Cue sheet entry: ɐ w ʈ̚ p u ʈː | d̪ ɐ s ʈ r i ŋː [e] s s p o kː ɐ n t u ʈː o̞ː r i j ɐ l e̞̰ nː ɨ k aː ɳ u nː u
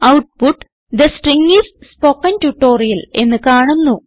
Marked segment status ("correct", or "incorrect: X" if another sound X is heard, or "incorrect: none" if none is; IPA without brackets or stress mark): incorrect: i